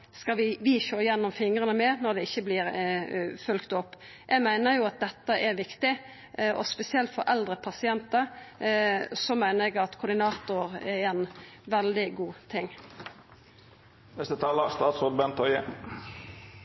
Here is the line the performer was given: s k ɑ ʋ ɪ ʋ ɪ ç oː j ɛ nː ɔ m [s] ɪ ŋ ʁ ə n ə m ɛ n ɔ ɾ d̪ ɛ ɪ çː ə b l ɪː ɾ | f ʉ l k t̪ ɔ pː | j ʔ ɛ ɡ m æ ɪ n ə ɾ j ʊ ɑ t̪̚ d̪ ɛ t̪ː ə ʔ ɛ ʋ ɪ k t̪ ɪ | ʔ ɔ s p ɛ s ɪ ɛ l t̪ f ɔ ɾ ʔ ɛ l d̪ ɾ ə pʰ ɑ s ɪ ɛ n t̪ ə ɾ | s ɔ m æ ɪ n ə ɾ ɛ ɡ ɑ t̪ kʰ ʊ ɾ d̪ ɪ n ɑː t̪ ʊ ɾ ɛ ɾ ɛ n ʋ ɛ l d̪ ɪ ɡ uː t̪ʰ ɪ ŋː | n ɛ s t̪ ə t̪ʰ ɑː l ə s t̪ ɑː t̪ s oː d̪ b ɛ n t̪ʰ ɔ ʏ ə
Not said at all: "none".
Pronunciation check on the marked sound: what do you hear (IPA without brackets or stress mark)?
f